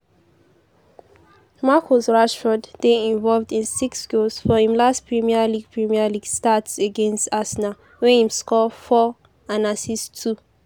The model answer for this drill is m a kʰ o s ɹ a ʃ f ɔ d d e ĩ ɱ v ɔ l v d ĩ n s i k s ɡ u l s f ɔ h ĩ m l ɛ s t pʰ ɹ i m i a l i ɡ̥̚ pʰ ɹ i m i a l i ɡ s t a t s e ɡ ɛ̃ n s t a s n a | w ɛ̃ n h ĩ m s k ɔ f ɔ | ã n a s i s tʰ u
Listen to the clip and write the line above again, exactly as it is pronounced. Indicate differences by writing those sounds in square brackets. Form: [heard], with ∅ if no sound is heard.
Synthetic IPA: m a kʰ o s ɹ a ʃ f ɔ d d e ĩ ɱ v ɔ l v d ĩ n s i k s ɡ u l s f ɔ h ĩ m l [a] s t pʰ ɹ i m i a l i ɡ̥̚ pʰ ɹ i m i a l i ɡ s t a t s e ɡ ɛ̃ n s t a s n a | w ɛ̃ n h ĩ m s k ɔ f ɔ | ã n a s i s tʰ u